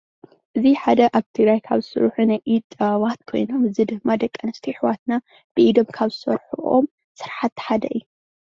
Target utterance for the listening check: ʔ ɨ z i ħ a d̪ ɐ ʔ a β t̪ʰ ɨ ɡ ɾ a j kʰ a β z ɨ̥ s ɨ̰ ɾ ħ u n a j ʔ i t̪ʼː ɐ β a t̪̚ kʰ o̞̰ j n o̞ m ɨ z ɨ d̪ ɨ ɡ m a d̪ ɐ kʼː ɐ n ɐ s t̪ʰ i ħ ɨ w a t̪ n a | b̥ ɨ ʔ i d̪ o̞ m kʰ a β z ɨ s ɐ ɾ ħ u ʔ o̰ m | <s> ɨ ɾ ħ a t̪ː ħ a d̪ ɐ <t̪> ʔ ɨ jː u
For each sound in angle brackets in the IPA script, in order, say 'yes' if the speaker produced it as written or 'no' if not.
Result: yes, no

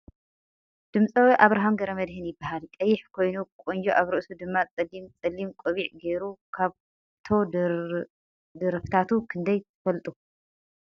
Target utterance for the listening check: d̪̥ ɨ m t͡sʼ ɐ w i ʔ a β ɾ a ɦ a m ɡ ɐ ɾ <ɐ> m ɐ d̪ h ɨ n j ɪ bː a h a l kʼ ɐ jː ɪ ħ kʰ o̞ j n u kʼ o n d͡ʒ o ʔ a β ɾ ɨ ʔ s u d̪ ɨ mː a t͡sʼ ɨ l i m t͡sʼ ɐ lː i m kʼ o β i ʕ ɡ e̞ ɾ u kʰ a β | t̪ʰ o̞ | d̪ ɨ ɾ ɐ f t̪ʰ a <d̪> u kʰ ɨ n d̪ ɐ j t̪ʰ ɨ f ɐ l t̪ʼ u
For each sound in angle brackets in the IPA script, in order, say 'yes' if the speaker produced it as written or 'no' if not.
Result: yes, no

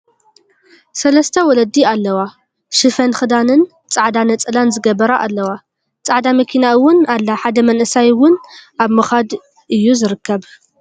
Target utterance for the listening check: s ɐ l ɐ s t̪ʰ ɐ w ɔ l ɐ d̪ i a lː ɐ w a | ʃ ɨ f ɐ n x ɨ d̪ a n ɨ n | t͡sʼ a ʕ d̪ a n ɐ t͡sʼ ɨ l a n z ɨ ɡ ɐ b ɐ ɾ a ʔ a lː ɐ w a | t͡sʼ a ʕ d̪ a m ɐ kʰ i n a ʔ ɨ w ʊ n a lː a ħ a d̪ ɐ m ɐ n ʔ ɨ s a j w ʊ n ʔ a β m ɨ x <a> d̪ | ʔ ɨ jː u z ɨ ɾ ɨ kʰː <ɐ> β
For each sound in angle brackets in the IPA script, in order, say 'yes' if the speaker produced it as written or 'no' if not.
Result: yes, yes

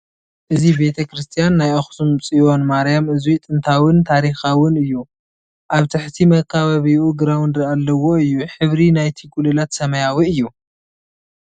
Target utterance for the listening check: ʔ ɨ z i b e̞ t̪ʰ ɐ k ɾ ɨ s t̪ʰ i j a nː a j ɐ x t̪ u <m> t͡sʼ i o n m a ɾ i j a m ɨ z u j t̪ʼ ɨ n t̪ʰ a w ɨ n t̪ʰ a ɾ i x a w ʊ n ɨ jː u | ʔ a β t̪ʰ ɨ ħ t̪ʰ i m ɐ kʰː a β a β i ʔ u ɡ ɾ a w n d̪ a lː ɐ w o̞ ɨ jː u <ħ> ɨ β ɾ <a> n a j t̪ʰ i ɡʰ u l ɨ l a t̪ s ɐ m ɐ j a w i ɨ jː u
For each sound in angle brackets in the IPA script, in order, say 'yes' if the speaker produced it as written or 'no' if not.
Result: yes, yes, no

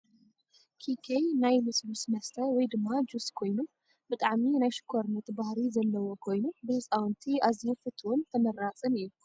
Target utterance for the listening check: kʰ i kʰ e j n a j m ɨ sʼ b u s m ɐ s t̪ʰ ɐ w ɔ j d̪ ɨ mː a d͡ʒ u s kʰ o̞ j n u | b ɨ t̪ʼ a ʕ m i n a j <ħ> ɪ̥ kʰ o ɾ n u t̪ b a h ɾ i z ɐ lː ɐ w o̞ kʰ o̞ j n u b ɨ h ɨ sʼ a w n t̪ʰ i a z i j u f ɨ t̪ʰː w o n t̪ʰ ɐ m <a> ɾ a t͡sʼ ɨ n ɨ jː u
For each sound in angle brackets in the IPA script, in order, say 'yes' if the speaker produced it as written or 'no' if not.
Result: no, no

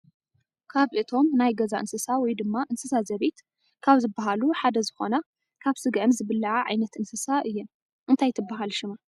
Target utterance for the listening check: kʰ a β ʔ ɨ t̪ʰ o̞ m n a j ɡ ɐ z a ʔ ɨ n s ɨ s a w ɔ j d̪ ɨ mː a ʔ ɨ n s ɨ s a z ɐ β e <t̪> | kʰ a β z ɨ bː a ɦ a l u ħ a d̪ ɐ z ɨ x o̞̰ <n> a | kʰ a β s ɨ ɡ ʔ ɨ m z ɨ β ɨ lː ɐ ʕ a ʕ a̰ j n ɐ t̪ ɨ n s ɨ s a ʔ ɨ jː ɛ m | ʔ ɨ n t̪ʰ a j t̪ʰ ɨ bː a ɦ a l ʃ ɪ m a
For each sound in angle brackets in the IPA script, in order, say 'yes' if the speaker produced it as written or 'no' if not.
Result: yes, yes

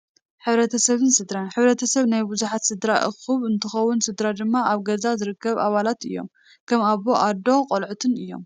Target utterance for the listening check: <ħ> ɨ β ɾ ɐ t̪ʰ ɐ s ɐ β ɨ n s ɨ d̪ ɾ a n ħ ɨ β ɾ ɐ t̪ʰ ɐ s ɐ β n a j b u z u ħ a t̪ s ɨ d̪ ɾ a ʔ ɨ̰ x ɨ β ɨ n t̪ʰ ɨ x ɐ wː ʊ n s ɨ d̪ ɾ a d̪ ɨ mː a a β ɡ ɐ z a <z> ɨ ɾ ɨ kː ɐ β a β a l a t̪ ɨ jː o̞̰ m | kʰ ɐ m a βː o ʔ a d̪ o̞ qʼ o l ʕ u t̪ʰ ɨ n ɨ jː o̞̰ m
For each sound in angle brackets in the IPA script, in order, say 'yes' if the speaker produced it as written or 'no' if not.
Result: yes, yes

